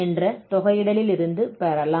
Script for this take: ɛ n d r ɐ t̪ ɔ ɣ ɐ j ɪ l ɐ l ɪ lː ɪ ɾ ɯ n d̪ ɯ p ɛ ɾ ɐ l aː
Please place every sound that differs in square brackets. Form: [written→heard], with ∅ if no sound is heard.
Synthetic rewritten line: ɛ n d r ɐ t̪ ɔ ɣ ɐ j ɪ [l→ɽ] ɐ l ɪ [lː→l] ɪ ɾ ɯ n d̪ ɯ p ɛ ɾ ɐ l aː